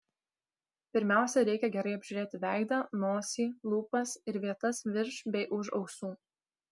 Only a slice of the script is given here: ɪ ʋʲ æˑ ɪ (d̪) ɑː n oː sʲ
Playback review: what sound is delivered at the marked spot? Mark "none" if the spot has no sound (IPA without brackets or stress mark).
d̪